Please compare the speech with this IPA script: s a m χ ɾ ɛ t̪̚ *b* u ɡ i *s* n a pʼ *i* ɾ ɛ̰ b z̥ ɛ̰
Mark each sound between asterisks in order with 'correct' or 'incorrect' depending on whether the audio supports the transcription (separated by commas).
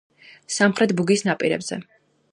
correct, correct, correct